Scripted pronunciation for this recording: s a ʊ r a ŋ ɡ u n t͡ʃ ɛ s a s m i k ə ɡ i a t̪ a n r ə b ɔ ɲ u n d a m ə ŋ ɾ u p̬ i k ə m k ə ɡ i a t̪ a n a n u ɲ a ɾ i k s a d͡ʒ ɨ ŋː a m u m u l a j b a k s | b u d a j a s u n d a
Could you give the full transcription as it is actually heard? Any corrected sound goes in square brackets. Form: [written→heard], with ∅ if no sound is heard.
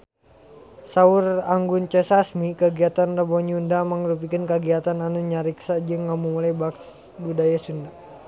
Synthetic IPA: s a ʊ r a ŋ ɡ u n t͡ʃ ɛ s a s m i k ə ɡ i a t̪ a n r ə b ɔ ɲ u n d a m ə ŋ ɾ u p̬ i k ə [m→n] k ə ɡ i a t̪ a n a n u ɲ a ɾ i k s a d͡ʒ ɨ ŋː a m u m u l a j b a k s | b u d a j a s u n d a

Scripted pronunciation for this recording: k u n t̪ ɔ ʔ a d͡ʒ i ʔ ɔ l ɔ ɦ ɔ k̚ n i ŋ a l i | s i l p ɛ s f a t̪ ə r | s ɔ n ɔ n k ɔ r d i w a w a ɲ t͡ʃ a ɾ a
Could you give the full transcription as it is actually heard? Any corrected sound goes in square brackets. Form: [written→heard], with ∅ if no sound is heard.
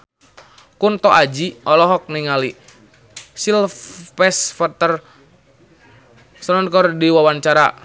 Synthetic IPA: k u n t̪ ɔ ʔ a d͡ʒ i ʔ ɔ l ɔ ɦ ɔ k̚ n i ŋ a l i | s i l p ɛ s f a t̪ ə r | s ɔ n ɔ n k ɔ r d i w a w a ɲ t͡ʃ a ɾ a

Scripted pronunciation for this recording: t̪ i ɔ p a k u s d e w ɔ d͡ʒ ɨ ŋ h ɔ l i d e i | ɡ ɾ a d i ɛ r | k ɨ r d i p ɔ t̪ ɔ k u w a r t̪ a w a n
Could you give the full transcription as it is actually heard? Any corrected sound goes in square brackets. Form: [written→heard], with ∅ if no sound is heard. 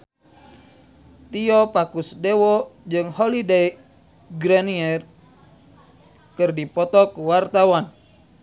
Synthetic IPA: t̪ i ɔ p a k u s d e w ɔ d͡ʒ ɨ ŋ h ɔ l i d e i | ɡ ɾ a [d→n] i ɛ r | k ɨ r d i p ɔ t̪ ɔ k u w a r t̪ a w a n

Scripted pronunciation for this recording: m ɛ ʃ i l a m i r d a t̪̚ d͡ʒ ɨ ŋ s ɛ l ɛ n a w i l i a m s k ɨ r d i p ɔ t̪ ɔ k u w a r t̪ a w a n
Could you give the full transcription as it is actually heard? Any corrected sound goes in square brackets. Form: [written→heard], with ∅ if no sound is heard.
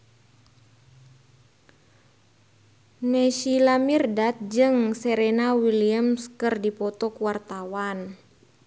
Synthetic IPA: [m→n] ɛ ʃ i l a m i r d a t̪̚ d͡ʒ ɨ ŋ s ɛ [l→ɾ] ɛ n a w i l i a m s k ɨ r d i p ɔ t̪ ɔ k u w a r t̪ a w a n

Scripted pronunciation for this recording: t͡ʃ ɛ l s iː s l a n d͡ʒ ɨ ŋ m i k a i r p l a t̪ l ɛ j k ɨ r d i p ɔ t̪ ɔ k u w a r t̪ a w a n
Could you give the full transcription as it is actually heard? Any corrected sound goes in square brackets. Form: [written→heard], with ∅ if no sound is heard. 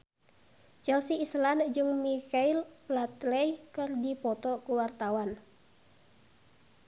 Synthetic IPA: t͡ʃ ɛ l s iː s l a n d͡ʒ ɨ ŋ m i k a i [r→l] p l a t̪ l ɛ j k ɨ r d i p ɔ t̪ ɔ k u w a r t̪ a w a n

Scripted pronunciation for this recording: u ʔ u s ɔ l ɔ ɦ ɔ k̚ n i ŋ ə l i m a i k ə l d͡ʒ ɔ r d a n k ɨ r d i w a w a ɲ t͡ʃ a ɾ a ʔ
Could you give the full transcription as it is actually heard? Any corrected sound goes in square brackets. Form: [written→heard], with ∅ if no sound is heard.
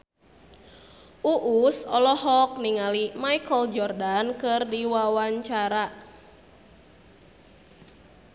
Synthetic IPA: u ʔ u s ɔ l ɔ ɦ ɔ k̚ n i ŋ [ə→a] l i m a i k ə l d͡ʒ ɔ r d a n k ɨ r d i w a w a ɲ t͡ʃ a ɾ a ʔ

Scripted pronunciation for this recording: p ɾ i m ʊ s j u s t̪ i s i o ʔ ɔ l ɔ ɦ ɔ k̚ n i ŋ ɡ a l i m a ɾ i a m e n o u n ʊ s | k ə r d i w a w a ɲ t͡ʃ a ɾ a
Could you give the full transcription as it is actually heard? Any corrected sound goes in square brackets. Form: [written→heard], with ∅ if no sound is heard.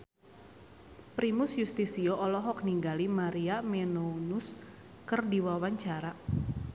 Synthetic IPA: p ɾ i m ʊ s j u s t̪ i s i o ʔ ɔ l ɔ ɦ ɔ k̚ n i ŋ ɡ a l i m a ɾ i a m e n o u n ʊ s | k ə r d i w a w a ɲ t͡ʃ a ɾ a

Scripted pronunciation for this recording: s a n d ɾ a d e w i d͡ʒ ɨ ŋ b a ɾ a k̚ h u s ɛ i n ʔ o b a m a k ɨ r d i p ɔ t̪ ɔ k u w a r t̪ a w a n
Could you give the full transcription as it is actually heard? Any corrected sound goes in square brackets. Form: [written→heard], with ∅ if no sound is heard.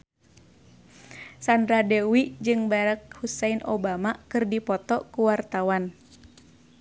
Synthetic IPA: s a n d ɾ a d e w i d͡ʒ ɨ ŋ b a ɾ a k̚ h u s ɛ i n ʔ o b a m a k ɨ r d i p ɔ t̪ ɔ k u w a r t̪ a w a n

